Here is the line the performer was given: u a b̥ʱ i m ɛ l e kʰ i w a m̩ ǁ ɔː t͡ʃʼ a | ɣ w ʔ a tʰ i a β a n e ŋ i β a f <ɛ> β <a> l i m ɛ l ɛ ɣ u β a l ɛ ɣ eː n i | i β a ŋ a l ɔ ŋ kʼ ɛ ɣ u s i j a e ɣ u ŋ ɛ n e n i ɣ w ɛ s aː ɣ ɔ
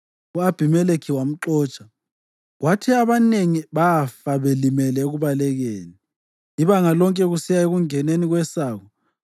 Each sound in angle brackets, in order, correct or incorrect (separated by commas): incorrect, incorrect